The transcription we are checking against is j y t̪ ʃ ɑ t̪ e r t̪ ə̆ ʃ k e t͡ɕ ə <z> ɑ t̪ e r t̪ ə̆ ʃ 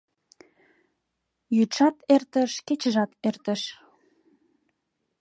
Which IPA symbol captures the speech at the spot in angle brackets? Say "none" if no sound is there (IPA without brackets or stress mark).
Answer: ʒ